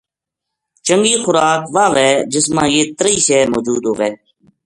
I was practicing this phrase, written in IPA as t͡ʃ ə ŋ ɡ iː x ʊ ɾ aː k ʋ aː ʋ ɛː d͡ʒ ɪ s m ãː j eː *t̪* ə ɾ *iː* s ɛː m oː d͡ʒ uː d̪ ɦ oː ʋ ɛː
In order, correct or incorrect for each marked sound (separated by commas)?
correct, correct